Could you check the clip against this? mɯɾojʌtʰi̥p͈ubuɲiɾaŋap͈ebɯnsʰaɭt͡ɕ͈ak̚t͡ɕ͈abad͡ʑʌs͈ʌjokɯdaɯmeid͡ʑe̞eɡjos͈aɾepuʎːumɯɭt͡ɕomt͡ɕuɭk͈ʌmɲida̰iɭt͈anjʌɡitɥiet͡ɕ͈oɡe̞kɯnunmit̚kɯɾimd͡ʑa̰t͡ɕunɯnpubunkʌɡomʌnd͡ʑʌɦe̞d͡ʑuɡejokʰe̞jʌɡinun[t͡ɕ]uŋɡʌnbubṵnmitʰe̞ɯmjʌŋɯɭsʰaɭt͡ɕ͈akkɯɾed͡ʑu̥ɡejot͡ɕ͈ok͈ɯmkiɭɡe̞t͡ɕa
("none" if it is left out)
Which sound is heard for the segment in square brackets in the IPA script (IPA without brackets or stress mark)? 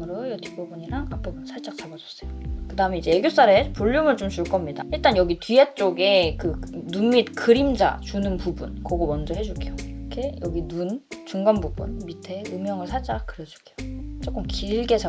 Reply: t͡ɕ